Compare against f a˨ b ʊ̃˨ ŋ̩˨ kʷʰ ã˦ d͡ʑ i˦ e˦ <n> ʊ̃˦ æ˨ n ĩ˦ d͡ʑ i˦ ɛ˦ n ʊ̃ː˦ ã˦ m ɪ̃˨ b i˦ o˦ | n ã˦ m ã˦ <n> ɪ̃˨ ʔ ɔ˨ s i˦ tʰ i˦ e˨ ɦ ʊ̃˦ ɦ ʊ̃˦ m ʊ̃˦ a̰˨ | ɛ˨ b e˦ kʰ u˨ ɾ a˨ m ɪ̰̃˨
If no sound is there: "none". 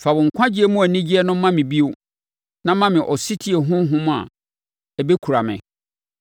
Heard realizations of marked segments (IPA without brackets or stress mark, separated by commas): m, m